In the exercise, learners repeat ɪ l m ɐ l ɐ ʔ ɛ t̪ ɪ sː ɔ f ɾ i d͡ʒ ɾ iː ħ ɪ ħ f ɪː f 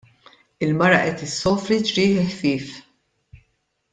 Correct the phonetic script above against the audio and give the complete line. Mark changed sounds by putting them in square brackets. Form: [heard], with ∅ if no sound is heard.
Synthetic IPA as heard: ɪ l m ɐ [ɾ] ɐ ʔ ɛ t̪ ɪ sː [ɔː] f ɾ i d͡ʒ ɾ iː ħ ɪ ħ f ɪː f